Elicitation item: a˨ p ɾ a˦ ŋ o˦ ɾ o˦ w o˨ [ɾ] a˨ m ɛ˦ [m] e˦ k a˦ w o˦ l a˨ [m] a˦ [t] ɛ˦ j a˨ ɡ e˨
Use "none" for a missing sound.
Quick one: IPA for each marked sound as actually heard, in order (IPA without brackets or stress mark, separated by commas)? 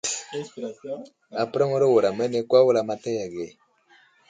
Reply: ɾ, n, m, t